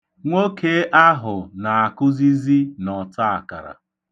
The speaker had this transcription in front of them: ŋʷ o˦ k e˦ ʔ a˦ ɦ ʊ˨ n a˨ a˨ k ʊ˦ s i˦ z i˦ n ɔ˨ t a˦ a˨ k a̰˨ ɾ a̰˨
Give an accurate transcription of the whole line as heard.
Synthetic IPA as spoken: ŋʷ o˦ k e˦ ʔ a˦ ɦ ʊ˨ n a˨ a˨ k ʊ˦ z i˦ z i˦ n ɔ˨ t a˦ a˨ k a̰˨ ɾ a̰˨